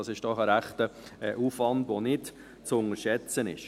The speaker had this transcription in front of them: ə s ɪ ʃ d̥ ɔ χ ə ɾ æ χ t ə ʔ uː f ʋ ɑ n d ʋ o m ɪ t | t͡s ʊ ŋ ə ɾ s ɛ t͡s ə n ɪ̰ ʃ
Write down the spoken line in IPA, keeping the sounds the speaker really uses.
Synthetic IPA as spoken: ɑ s ɪ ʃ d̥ ɔ χ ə ɾ æ χ t ə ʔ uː f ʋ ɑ n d ʋ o n ɪ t | t͡s ʊ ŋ ə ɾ ʃ ɛ t͡s ə n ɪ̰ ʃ